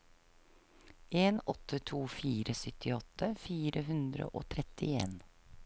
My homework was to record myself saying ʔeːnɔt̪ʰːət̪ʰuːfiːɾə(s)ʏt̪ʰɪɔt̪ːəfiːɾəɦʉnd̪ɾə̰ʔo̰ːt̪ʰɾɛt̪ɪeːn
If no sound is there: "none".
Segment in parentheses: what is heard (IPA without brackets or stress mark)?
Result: s